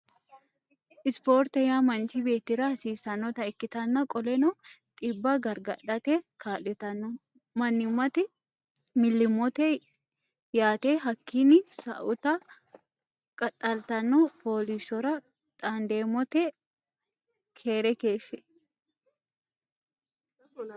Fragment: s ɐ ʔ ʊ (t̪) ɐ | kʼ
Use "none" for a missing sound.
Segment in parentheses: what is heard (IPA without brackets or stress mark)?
t̪